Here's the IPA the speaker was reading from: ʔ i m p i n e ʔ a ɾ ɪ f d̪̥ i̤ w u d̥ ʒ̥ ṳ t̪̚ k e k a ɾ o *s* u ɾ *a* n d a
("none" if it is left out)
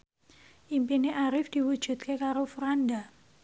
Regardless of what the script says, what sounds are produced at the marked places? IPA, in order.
f, a

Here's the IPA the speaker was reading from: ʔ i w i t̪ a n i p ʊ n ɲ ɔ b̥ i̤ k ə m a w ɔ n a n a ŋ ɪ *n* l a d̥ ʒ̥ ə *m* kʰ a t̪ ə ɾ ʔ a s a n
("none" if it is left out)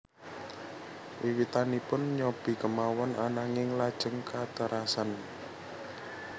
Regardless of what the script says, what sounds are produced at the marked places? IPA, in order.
ŋ, ŋ

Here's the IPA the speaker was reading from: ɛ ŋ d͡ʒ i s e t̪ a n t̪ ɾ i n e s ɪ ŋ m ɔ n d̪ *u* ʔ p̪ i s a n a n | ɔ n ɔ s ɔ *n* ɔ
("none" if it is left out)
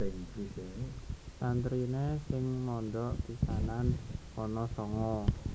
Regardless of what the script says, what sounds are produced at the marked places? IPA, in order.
ɔ, ŋ

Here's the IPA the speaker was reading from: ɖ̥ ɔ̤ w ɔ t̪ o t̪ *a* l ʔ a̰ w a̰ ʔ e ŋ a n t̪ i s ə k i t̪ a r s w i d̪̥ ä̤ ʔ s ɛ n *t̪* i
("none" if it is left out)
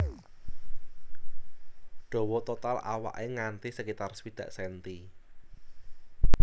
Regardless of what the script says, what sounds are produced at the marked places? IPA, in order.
a, t̪

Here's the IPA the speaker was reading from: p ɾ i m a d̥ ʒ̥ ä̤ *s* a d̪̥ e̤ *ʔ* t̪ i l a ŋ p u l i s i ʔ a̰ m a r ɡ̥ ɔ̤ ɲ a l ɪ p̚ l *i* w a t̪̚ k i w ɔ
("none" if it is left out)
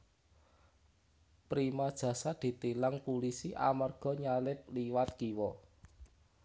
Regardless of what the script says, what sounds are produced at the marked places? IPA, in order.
s, none, i

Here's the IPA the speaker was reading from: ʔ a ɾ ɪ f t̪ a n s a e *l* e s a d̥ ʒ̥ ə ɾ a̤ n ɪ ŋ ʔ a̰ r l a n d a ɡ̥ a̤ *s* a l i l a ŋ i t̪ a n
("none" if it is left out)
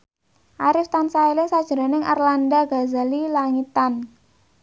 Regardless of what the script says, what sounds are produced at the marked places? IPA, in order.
l, z

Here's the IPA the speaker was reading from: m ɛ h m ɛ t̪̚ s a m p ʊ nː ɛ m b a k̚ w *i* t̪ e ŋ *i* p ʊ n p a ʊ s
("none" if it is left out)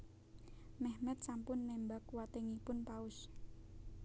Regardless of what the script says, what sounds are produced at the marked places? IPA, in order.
a, i

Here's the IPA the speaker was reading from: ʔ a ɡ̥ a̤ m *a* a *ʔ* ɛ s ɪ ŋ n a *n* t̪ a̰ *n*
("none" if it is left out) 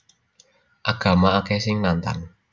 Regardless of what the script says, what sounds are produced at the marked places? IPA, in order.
a, k, n, n

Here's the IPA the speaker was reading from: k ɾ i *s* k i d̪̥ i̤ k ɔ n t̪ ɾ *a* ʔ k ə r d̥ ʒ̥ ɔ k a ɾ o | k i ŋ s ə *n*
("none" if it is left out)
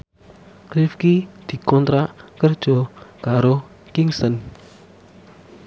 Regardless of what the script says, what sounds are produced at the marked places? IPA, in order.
f, a, n

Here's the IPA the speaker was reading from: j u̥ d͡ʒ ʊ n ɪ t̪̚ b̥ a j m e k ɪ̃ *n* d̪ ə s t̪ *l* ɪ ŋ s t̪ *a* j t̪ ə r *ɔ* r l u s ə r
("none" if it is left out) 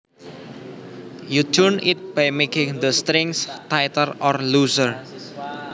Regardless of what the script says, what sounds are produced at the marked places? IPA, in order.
ŋ, ɾ, a, ɔ

